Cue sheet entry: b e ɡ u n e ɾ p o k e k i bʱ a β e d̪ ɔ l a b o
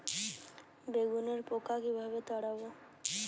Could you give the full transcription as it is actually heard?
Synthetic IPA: b e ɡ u n e ɾ p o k a k i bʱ a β e t̪ ɔ ɽ a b o